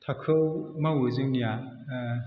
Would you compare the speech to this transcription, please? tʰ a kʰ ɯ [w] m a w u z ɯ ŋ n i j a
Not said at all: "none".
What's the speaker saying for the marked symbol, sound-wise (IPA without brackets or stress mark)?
w